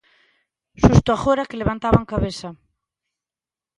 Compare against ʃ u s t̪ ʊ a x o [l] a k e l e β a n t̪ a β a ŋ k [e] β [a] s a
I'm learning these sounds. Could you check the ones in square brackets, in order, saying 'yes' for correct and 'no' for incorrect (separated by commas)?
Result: no, no, no